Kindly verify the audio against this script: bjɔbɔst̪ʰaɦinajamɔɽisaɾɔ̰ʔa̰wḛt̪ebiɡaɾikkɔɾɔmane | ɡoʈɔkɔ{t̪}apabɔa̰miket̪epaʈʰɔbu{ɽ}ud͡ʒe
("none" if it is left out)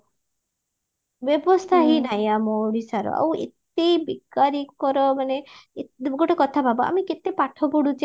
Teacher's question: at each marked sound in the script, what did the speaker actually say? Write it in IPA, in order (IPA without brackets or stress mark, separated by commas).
t̪ʰ, ɽ